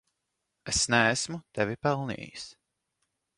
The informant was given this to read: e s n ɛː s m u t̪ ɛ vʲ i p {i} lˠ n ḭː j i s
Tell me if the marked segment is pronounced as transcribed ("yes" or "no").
no